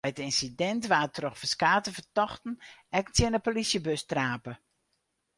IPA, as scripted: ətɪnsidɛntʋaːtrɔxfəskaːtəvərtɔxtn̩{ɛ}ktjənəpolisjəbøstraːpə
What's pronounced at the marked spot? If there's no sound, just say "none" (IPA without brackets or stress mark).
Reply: ɛ